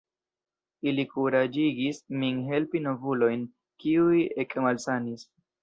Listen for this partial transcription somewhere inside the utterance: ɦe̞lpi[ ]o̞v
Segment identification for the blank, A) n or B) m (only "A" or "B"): A